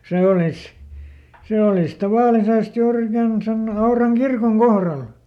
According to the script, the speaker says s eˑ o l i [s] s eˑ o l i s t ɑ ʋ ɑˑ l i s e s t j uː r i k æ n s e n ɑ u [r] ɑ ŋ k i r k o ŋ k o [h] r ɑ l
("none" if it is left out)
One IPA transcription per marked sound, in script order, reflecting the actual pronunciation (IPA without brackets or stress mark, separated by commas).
s, r, h